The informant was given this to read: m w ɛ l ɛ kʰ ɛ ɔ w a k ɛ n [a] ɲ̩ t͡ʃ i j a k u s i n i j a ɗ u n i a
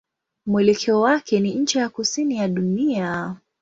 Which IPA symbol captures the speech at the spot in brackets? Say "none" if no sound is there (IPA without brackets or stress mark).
i